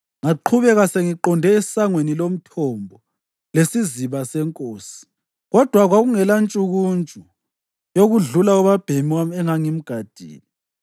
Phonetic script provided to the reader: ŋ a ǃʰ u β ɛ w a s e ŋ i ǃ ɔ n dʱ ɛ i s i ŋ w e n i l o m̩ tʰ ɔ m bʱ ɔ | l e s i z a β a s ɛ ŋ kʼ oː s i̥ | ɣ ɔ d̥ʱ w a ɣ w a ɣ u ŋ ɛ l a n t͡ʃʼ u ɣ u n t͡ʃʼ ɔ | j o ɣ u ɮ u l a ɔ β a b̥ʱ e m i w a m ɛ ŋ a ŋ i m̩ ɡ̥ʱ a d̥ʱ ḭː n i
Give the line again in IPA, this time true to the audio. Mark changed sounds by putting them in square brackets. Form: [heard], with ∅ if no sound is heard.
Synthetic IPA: ŋ a ǃʰ u β ɛ [ɣ] a s e ŋ i ǃ ɔ n dʱ ɛ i s [a] ŋ w e n i l o m̩ tʰ ɔ m bʱ ɔ | l e s i z [i] β a s ɛ ŋ kʼ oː s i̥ | ɣ ɔ d̥ʱ w a ɣ w a ɣ u ŋ ɛ l a n t͡ʃʼ u ɣ u n t͡ʃʼ [u] | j o ɣ u ɮ u l a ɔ β a b̥ʱ e m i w a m ɛ ŋ a ŋ i m̩ ɡ̥ʱ a d̥ʱ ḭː n i